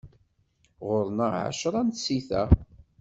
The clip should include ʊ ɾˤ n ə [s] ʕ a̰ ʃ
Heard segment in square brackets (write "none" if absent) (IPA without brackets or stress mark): none